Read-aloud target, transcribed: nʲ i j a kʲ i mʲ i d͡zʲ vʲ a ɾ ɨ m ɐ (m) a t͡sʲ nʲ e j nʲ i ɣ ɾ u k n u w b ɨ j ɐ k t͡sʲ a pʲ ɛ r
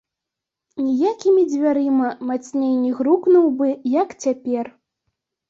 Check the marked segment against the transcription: correct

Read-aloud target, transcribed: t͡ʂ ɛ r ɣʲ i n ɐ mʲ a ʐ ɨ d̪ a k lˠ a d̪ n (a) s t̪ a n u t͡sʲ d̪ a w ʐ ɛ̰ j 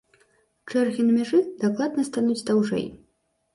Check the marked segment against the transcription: incorrect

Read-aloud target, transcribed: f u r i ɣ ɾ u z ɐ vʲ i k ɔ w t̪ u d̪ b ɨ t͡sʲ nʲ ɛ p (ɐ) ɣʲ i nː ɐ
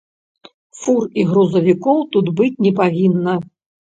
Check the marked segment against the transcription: incorrect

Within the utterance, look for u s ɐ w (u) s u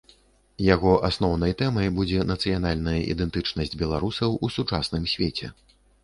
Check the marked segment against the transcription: correct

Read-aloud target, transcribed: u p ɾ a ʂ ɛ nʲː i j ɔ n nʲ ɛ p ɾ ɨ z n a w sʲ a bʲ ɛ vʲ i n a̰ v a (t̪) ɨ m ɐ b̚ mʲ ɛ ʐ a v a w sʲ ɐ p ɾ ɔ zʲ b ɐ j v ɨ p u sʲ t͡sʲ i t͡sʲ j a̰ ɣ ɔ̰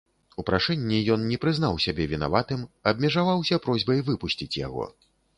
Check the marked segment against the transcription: correct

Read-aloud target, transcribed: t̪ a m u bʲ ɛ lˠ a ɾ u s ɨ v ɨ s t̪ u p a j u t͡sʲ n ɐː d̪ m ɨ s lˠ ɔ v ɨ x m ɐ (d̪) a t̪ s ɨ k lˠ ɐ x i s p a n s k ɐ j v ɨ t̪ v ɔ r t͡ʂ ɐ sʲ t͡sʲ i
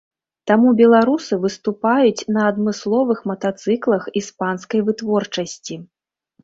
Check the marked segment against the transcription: incorrect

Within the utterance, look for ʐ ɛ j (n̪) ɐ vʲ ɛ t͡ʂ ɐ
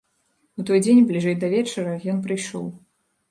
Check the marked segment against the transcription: incorrect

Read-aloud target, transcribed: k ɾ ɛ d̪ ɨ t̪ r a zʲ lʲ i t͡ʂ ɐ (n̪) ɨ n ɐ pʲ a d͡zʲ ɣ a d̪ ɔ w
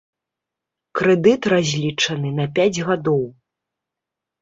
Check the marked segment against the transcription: correct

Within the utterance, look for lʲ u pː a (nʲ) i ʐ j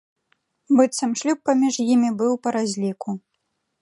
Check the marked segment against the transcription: incorrect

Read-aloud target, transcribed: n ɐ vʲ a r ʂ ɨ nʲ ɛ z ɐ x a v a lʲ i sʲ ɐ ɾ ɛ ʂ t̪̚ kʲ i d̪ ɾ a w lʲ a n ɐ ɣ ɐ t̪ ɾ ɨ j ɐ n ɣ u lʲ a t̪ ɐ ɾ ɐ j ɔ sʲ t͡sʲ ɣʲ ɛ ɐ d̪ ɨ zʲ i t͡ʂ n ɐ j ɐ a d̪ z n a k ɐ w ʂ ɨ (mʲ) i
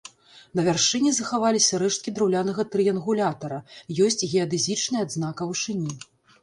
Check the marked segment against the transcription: incorrect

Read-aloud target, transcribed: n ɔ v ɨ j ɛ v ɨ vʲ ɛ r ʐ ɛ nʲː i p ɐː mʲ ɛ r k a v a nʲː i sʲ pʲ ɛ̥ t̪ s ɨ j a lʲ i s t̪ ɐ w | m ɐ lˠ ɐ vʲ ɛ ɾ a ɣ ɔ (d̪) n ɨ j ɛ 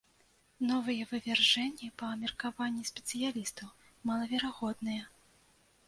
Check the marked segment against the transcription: correct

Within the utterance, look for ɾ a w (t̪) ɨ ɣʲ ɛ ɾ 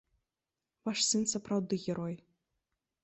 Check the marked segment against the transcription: incorrect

